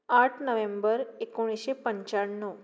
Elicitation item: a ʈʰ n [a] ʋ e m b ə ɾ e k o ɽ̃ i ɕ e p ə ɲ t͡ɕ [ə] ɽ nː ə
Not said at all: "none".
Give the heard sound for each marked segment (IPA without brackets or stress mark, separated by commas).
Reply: ə, a